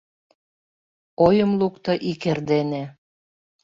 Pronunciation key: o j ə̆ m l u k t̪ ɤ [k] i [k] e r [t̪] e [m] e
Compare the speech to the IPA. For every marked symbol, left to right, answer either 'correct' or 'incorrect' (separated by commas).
incorrect, correct, incorrect, incorrect